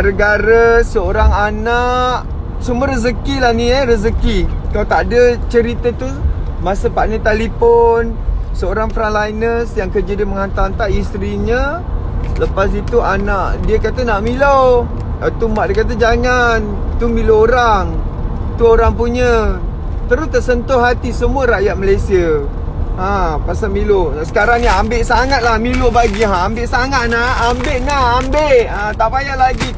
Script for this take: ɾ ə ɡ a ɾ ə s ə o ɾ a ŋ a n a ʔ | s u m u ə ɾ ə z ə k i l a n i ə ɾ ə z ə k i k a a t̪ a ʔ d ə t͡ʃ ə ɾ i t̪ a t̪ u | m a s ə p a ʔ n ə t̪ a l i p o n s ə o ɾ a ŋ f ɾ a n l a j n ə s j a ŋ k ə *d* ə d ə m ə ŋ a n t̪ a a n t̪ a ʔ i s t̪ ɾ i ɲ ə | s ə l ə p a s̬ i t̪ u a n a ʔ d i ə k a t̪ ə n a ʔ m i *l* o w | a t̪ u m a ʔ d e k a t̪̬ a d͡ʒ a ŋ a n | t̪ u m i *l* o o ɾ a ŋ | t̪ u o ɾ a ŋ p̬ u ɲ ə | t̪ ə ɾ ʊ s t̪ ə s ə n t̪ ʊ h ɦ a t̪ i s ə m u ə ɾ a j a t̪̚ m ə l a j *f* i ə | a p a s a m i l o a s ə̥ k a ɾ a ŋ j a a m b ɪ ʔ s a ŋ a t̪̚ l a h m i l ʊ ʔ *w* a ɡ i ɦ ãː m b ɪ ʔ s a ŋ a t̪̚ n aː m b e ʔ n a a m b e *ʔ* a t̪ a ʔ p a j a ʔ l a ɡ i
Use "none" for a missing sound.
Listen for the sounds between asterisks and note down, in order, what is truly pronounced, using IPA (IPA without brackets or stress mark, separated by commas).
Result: d͡ʒ, l, l, s, b, ʔ